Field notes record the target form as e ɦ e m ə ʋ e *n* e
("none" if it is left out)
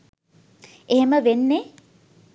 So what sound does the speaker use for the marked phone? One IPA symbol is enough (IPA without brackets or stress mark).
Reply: nː